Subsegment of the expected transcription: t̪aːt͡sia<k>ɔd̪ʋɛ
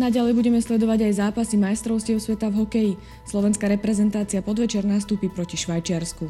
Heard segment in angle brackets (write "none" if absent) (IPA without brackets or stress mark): p